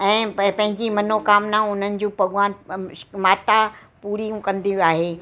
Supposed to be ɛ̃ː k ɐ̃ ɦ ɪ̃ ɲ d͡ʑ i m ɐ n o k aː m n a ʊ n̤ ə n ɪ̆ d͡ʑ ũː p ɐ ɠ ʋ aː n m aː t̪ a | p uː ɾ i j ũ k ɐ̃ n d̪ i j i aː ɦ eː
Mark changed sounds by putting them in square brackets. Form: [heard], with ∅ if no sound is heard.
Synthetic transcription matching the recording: ɛ̃ː [p] ɐ̃ ɦ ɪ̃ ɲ d͡ʑ i m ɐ n o k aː m n a ʊ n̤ ə n ɪ̆ d͡ʑ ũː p ɐ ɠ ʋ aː n m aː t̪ a | p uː ɾ i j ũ k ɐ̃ n d̪ i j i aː ɦ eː